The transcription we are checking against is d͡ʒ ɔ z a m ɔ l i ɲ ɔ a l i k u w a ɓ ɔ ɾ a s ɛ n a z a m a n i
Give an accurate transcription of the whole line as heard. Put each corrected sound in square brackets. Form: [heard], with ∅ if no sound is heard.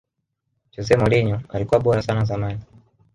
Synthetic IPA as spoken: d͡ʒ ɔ z [ɛ] m ɔ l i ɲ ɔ a l i k u w a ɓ ɔ ɾ a s [a] n a z a m a n i